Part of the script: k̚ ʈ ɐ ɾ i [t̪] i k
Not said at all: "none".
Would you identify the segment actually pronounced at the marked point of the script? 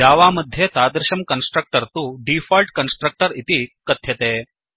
t̪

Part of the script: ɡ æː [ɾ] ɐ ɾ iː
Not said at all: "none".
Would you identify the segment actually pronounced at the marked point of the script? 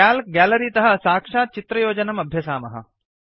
l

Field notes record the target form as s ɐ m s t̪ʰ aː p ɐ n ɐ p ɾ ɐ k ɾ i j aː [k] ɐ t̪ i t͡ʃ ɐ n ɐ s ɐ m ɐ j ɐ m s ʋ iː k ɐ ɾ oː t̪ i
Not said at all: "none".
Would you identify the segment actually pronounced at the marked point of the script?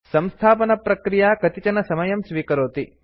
k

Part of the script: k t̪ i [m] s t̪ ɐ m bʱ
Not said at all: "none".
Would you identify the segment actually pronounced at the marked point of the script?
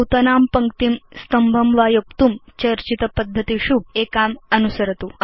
m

